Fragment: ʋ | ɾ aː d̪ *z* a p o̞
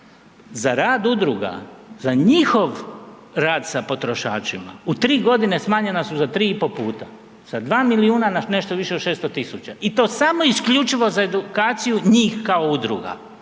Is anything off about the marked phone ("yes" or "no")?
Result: yes